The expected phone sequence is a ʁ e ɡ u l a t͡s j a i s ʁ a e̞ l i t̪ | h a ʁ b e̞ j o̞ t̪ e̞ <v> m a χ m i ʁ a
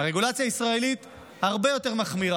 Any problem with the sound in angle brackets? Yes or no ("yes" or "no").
yes